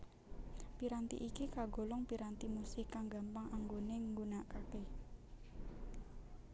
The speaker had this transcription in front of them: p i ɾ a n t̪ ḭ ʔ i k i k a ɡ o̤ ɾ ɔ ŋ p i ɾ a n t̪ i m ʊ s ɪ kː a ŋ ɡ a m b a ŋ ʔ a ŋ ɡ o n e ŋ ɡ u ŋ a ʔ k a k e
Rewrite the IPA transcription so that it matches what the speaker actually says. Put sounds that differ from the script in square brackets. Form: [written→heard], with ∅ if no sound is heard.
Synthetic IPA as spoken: p i ɾ a n t̪ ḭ ʔ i k i k a ɡ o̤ [ɾ→l] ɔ ŋ p i ɾ a n t̪ i m [ʊ→u] s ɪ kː a ŋ ɡ a m [b→p] a ŋ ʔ a ŋ ɡ o n e ŋ ɡ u [ŋ→n] a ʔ k a k e